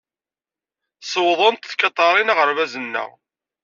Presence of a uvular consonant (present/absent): present